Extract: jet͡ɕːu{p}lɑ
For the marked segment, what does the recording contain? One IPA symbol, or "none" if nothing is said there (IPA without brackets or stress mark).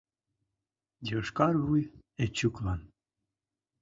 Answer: k